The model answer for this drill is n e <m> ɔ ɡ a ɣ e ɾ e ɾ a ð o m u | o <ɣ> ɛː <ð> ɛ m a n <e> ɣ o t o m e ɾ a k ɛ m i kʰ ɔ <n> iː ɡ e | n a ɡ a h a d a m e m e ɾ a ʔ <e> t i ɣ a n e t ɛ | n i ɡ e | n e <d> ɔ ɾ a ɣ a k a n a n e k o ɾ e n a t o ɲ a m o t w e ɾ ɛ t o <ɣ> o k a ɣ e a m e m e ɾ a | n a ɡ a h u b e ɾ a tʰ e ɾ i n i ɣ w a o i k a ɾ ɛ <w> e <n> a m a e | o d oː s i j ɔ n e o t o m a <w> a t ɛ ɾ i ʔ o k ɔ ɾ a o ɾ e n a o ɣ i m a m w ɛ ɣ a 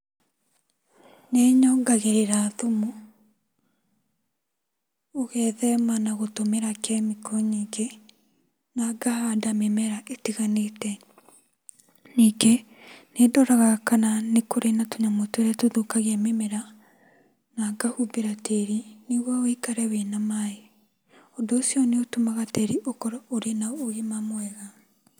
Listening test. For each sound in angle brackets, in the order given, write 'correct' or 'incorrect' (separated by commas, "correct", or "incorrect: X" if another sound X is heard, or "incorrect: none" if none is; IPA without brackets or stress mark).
incorrect: ɲ, correct, correct, incorrect: a, incorrect: ɲ, correct, correct, incorrect: ð, correct, correct, incorrect: ɣ